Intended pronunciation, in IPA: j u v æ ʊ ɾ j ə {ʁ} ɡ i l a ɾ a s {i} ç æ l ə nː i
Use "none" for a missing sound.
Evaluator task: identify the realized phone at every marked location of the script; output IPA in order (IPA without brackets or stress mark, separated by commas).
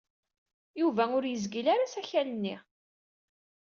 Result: z, æ